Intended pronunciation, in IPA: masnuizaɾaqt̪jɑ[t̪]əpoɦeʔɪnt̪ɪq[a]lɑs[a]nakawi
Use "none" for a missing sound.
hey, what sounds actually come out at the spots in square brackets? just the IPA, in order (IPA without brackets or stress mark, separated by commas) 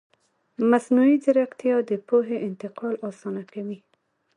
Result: d̪, ɑ, ɑ